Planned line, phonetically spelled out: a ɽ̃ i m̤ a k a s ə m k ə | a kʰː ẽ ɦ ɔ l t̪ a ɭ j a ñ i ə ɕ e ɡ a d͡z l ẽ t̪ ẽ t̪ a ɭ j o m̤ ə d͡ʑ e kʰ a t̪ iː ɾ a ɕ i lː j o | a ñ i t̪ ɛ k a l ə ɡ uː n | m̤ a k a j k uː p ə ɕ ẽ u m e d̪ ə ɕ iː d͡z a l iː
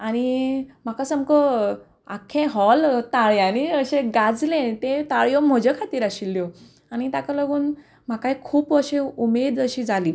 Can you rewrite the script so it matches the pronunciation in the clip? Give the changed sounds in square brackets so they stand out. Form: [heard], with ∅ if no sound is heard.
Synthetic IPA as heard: a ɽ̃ i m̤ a k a s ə m k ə | a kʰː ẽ ɦ ɔ l t̪ a ɭ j a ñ i ə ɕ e ɡ a d͡z l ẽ t̪ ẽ t̪ a ɭ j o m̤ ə d͡ʑ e kʰ a t̪ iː ɾ a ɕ i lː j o | a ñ i t̪ [a] k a l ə ɡ uː n | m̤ a k a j [kʰ] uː p ə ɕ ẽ u m e d̪ ə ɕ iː d͡z a l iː